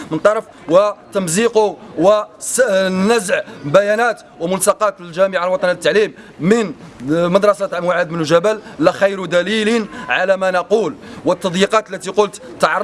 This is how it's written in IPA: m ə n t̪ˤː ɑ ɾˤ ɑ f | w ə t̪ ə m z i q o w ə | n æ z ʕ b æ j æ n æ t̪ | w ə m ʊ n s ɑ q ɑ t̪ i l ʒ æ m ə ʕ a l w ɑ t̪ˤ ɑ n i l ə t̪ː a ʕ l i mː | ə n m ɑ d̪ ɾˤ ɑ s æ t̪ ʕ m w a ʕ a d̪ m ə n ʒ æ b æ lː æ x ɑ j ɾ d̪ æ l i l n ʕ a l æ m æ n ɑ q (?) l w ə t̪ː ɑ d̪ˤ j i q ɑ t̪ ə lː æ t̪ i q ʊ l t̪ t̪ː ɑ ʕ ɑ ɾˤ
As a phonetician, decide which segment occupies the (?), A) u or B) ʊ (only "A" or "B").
A